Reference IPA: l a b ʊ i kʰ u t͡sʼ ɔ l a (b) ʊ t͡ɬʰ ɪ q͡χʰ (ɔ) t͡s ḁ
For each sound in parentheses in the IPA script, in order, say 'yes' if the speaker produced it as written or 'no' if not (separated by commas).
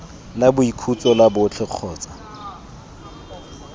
yes, no